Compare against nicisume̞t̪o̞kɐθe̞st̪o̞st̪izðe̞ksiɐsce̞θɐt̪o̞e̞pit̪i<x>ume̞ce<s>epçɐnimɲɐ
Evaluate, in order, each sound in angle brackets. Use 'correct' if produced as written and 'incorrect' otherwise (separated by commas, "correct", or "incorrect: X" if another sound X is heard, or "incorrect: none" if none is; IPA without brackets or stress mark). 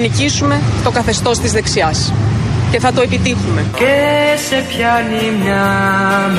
correct, correct